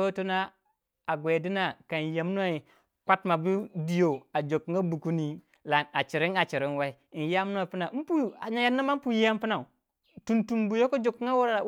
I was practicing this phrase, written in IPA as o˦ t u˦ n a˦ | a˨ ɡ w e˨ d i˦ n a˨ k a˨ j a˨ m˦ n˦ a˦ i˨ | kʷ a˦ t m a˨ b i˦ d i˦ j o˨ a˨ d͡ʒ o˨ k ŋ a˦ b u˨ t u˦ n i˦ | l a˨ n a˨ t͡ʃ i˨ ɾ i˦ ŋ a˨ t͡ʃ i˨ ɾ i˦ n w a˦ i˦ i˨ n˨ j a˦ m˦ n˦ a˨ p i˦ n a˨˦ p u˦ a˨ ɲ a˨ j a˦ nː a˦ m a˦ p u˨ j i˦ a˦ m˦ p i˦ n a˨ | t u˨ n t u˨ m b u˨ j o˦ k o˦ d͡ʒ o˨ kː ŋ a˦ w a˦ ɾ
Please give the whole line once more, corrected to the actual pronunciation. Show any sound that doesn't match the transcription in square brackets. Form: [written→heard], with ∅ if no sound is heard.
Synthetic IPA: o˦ t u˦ n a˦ | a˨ ɡ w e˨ d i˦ n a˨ k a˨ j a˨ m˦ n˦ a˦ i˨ | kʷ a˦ t m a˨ b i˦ d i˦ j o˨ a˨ d͡ʒ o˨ k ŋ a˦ b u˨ [t→k] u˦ n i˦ | l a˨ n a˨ t͡ʃ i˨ ɾ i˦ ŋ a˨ t͡ʃ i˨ ɾ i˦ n w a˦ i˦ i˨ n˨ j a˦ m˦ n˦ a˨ p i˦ n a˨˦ p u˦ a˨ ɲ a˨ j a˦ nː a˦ m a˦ p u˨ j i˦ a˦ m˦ p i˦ n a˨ | t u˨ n t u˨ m b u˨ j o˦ k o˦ d͡ʒ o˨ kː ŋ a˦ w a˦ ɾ